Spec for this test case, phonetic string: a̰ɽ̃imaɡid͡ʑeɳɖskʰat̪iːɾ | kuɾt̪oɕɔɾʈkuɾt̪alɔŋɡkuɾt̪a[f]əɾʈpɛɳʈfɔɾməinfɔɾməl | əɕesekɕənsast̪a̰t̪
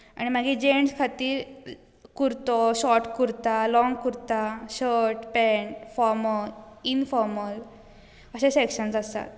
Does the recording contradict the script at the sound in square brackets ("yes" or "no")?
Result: yes